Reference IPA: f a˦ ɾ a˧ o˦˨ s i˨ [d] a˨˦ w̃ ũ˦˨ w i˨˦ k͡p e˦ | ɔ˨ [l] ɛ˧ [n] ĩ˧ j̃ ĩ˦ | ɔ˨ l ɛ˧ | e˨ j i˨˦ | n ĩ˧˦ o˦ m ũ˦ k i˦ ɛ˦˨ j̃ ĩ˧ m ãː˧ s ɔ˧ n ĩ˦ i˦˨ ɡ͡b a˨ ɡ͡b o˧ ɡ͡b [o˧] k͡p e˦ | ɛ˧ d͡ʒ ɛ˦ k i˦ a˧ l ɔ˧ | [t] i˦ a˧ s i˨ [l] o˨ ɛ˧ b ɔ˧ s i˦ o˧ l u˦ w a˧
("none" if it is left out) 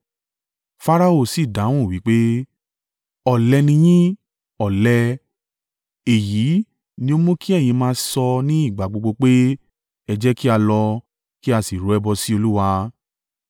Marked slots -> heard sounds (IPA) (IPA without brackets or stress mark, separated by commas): d, l, n, o˧, k, ɾ